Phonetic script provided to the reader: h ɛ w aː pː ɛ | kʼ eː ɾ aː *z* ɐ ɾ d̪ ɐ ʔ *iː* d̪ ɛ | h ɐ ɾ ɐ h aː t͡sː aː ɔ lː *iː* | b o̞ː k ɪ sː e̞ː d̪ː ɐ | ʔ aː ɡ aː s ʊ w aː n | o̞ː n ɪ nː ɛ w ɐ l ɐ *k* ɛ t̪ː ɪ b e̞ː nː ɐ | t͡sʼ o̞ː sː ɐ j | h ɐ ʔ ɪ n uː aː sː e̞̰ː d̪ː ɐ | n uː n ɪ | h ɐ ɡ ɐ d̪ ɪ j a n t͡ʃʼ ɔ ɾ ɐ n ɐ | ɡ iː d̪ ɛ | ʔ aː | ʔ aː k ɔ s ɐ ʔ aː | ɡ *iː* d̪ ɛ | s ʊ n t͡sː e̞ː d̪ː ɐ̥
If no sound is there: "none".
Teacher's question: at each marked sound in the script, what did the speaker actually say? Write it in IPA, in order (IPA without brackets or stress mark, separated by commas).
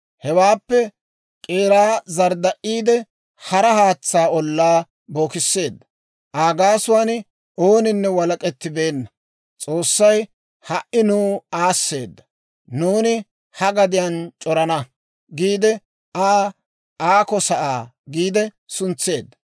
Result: z, iː, aː, kʼ, iː